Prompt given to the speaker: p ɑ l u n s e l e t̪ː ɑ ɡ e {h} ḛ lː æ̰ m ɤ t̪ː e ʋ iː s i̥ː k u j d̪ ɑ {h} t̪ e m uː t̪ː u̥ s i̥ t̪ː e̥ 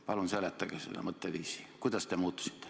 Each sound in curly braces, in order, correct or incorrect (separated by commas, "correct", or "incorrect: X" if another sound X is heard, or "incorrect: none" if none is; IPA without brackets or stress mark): incorrect: s, incorrect: s